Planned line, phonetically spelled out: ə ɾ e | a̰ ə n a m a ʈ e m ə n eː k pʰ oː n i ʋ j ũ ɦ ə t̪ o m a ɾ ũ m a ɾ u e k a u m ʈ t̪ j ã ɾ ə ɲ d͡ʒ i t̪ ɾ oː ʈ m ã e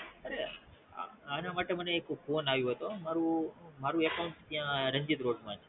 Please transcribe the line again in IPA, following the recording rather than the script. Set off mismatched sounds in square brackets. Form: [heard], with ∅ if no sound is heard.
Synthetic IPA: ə ɾ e | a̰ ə n a m a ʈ e m ə n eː k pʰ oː n [a] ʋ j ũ ɦ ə t̪ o m a ɾ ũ m a ɾ u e k a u [ɳ] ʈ t̪ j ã ɾ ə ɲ d͡ʒ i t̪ ɾ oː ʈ m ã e